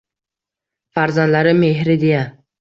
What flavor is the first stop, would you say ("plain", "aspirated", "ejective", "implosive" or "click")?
plain